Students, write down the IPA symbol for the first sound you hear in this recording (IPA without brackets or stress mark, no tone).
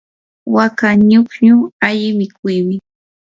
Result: w